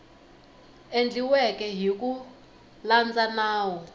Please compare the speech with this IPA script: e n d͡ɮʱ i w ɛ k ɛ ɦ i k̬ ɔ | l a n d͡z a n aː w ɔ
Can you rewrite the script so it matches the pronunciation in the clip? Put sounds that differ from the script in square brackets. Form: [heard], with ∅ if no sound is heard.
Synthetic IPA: e n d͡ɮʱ i w ɛ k ɛ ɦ i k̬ [u] | l a n d͡z a n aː w ɔ